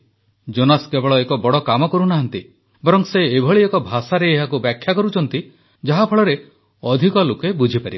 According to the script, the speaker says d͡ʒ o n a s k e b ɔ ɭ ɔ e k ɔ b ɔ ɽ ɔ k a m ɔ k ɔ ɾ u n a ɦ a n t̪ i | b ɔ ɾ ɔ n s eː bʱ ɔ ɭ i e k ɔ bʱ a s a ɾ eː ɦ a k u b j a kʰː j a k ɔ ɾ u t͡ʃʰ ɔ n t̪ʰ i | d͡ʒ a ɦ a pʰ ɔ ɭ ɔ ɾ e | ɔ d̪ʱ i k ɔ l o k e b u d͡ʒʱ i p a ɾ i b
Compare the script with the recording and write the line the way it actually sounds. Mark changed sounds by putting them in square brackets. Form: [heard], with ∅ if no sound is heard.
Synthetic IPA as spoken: d͡ʒ o n a s k e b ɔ ɭ ɔ e k ɔ b ɔ ɽ ɔ k a m ɔ k ɔ ɾ u n a ɦ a n t̪ i | b ɔ ɾ ɔ [ŋ] s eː bʱ ɔ ɭ i e k ɔ bʱ a s a ɾ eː ɦ a k u b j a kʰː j a k ɔ ɾ u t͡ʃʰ ɔ n [t̪] i | d͡ʒ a ɦ a pʰ ɔ ɭ ɔ ɾ e | ɔ d̪ʱ i k ɔ l o k e b u d͡ʒʱ i p a ɾ i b